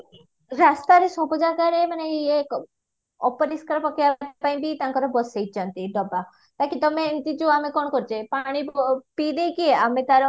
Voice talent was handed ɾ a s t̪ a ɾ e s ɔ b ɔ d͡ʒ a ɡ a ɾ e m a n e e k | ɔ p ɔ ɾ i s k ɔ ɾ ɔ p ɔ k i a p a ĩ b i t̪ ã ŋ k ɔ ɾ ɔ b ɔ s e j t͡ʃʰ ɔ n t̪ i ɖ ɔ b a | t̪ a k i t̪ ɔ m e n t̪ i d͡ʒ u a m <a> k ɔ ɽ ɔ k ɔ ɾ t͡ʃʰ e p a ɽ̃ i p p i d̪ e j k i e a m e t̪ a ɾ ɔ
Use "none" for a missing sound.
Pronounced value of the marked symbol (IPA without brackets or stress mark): e